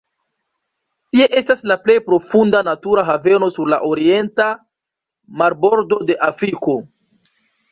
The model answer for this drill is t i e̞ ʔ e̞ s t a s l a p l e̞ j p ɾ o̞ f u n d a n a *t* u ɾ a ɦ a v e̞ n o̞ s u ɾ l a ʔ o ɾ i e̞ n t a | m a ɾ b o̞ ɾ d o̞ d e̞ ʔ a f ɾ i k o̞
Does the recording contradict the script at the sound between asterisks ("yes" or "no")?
no